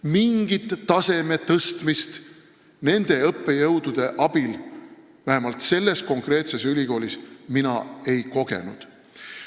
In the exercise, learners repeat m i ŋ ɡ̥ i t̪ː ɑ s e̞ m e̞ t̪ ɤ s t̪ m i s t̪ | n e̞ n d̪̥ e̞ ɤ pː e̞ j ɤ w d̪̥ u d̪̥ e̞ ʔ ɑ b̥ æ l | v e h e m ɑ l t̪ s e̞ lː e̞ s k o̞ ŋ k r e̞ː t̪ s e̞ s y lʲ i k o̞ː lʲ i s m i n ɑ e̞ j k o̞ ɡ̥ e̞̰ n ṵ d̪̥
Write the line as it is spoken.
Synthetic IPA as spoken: m i ŋ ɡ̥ i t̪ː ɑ s e̞ m e̞ t̪ ɤ s t̪ m i s t̪ | n e̞ n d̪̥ e̞ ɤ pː e̞ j ɤ w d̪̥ u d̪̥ e̞ ʔ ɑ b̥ i l | v æ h e m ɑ l t̪ s e̞ lː e̞ s k o̞ ŋ k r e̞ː t̪ s e̞ s y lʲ i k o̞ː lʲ i s m i n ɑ e̞ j k o̞ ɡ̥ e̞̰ n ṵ d̪̥